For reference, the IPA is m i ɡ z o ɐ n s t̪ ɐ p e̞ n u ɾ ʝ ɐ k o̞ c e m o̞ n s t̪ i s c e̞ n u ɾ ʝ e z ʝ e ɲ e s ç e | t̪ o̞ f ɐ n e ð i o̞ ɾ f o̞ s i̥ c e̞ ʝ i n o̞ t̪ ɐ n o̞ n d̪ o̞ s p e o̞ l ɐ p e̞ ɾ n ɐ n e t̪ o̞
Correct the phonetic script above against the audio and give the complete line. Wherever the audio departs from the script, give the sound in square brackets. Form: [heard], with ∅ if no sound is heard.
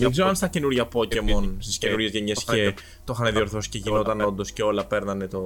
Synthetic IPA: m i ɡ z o ɐ n s t̪ ɐ [c] e̞ n u ɾ ʝ ɐ [p] o̞ c e m o̞ n s t̪ i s c e̞ n u ɾ ʝ e z ʝ e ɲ e s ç e | t̪ o̞ [x] ɐ n e ð i o̞ ɾ [θ] o̞ s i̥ c e̞ ʝ i n o̞ t̪ ɐ n o̞ n d̪ o̞ s [c] e o̞ l ɐ p e̞ ɾ n ɐ n e t̪ o̞